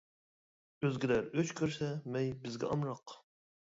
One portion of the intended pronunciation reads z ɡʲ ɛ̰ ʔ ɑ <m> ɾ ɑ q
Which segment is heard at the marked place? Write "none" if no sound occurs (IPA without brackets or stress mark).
m